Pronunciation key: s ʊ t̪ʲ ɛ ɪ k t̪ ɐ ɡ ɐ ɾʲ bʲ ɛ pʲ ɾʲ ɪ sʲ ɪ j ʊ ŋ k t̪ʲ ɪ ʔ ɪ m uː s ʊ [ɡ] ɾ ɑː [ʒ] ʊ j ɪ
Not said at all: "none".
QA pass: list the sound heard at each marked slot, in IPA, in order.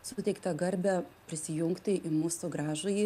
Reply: ɡ, ʒ

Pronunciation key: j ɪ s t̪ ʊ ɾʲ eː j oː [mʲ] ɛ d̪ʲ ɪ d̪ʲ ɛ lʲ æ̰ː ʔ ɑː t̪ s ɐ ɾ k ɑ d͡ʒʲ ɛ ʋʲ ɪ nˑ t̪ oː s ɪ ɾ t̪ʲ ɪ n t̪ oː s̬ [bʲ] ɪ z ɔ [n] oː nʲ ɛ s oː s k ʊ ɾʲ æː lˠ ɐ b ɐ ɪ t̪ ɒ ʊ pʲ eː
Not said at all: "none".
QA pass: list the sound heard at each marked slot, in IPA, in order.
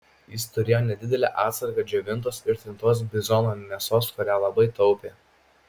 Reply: nʲ, bʲ, n

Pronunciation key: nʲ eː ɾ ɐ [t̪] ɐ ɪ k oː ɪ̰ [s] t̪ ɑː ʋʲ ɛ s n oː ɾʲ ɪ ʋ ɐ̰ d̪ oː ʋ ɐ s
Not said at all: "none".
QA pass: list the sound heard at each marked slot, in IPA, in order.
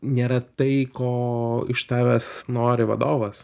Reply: t̪, ʃ

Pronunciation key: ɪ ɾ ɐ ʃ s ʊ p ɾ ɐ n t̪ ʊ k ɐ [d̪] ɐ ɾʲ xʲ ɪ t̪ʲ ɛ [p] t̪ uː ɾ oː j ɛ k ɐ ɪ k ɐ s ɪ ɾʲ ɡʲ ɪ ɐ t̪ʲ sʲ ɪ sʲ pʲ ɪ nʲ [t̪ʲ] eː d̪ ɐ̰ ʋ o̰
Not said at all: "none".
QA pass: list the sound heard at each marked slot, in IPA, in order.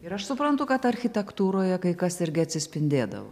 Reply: t̪, k, d̪ʲ

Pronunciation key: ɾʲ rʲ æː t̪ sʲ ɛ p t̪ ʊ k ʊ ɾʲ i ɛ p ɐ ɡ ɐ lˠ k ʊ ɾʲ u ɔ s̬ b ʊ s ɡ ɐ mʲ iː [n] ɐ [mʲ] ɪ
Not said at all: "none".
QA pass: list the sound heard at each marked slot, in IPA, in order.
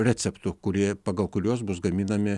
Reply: n, mʲ

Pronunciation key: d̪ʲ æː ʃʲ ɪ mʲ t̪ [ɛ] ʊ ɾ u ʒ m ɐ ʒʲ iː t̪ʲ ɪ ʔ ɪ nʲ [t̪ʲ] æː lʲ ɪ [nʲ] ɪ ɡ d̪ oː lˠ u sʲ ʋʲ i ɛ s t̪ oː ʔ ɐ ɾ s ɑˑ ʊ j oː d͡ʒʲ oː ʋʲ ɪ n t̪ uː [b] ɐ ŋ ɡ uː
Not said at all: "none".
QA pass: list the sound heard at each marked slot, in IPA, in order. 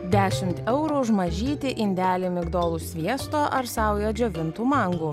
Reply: ɛ, d̪ʲ, mʲ, m

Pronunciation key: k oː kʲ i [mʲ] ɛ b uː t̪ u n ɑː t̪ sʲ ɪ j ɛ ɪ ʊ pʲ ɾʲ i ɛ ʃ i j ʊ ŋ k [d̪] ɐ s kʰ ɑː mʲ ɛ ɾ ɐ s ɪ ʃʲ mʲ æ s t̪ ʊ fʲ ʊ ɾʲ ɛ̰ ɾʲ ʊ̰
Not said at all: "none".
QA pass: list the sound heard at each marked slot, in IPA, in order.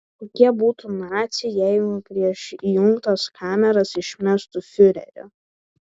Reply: none, t̪

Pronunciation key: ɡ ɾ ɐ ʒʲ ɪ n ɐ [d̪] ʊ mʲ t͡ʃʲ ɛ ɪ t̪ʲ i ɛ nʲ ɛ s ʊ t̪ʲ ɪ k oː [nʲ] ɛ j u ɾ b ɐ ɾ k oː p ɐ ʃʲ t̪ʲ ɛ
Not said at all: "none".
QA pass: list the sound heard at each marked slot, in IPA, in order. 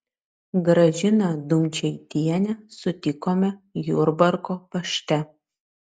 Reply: d̪, mʲ

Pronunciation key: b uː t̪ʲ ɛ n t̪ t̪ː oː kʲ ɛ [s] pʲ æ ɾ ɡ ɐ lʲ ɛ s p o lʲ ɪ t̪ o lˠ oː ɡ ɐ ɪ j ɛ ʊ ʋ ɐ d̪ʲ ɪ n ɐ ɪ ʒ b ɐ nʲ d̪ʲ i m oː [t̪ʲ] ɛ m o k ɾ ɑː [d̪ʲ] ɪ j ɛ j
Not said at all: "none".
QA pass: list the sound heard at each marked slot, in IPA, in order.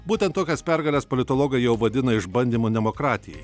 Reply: s, d̪ʲ, t̪ʲ

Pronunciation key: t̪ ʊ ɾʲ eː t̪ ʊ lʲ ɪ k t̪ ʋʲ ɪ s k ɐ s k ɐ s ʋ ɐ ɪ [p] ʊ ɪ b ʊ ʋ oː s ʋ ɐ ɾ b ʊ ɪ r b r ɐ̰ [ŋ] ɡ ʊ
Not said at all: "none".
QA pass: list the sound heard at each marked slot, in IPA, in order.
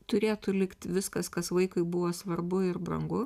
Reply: k, ŋ

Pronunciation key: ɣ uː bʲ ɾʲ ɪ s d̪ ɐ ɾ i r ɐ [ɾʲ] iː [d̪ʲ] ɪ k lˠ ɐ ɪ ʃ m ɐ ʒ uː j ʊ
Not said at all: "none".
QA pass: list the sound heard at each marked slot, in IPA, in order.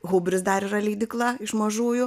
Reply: lʲ, d̪ʲ

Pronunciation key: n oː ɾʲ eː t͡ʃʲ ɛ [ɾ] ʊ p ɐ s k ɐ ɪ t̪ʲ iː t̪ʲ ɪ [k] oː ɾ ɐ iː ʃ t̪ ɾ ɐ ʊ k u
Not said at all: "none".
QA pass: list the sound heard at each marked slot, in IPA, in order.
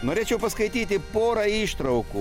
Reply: none, p

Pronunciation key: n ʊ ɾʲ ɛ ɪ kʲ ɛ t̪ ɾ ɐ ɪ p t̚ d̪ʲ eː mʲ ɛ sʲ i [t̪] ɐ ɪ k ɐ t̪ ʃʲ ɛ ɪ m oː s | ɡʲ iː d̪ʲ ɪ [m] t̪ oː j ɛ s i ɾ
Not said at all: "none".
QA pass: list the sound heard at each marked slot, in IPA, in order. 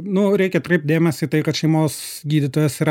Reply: t̪, none

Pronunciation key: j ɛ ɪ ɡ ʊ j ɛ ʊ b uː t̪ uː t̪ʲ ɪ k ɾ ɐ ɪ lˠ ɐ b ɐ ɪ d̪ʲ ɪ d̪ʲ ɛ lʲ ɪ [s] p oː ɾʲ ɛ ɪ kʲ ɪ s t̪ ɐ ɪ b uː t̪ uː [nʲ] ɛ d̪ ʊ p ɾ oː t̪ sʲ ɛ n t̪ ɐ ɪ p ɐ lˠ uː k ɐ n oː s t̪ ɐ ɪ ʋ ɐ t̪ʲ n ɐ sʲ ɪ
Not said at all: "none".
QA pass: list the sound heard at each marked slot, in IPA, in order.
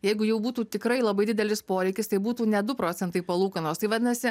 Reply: s, nʲ

